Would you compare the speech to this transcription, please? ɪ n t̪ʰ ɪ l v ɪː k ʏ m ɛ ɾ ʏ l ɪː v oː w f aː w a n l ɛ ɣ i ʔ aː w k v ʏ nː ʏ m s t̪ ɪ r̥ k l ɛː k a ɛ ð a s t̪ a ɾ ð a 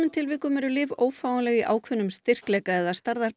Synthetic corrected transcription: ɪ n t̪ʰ ɪ l v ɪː k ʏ m ɛ ɾ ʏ l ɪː v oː w f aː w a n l ɛ ɣ i ʔ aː w kʰ v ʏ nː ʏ m s t̪ ɪ r̥ k l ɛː k a ɛ ð a s t̪ a ɾ ð a